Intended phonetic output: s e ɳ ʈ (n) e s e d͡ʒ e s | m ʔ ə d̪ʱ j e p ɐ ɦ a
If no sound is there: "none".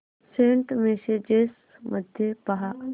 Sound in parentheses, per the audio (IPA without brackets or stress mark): m